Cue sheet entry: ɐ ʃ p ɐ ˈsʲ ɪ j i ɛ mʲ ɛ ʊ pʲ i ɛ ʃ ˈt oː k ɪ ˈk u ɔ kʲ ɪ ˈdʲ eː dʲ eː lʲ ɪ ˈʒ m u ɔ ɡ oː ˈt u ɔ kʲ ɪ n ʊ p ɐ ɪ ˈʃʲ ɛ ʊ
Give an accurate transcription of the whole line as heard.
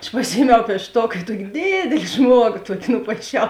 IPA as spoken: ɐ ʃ p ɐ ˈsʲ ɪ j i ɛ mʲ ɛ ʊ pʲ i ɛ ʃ ˈt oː k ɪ ˈt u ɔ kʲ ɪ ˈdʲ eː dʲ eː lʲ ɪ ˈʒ m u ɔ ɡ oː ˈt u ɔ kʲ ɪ n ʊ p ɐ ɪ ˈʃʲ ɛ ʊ